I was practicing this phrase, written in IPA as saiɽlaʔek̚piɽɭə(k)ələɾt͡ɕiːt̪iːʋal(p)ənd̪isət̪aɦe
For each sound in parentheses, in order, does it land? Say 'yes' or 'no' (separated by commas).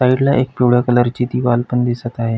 yes, yes